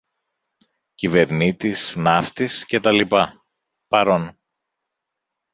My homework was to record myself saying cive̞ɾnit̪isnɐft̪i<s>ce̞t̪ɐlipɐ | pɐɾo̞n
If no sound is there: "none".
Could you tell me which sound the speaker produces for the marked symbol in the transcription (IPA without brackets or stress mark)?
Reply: s